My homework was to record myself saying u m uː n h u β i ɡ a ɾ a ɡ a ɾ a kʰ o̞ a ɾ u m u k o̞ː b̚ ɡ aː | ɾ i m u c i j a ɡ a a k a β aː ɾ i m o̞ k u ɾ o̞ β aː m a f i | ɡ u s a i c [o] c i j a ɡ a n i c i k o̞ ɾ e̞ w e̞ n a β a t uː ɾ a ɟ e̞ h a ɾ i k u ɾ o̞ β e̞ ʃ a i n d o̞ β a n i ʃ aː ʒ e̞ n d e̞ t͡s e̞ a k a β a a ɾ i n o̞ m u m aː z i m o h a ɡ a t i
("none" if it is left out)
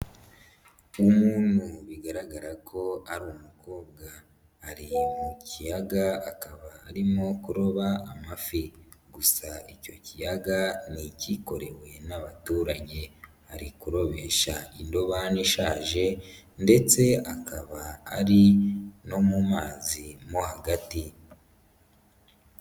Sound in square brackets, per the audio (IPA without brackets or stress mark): o